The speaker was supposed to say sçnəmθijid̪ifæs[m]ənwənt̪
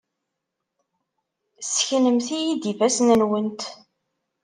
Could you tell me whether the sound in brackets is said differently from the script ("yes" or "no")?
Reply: yes